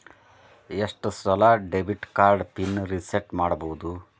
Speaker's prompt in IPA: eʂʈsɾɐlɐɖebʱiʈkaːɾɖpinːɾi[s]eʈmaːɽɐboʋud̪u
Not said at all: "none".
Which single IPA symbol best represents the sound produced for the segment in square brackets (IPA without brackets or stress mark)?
s